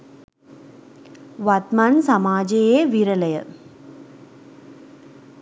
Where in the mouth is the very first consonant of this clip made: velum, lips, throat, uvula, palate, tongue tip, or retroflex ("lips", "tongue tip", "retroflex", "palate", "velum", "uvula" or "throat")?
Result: lips